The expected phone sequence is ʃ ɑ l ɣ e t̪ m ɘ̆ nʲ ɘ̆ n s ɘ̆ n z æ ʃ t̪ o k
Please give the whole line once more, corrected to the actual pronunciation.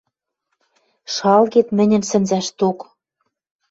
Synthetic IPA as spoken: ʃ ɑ l ɣ e t̪ m ɘ̆ nʲ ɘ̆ n s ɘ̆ n z æ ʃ t̪ o k